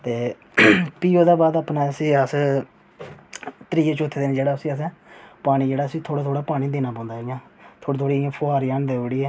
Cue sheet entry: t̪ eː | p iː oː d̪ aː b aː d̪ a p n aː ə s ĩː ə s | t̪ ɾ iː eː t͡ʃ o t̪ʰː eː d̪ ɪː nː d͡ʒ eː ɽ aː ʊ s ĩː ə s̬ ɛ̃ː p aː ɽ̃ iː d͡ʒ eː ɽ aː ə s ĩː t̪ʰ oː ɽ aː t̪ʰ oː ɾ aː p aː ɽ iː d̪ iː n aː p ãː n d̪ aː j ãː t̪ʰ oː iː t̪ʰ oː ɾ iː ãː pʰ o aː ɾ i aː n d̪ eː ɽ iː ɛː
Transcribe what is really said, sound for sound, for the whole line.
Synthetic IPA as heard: t̪ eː | p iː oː d̪ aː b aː d̪ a p n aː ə s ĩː ə s | t̪ ɾ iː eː t͡ʃ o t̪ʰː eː d̪ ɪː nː d͡ʒ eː ɽ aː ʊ s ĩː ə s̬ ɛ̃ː p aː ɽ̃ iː d͡ʒ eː ɽ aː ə s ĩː t̪ʰ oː ɽ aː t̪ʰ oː ɽ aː p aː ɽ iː d̪ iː n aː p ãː n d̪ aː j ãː t̪ʰ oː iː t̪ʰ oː ɽ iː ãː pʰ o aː ɾ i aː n d̪ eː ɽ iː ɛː